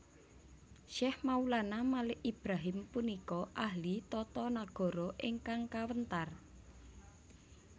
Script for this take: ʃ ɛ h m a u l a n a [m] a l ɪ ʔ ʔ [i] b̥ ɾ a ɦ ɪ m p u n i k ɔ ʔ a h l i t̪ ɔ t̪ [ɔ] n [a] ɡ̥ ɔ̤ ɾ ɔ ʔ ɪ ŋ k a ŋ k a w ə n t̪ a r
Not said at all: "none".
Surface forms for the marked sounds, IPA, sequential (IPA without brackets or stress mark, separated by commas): m, i, ɔ, a